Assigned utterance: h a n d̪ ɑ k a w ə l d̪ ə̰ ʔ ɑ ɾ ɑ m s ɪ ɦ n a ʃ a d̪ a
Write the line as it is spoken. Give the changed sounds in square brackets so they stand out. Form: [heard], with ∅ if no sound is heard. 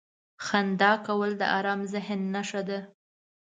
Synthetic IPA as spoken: [x] a n d̪ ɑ k a w ə l d̪ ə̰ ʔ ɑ ɾ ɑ m [z] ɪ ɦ [nː] a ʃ a d̪ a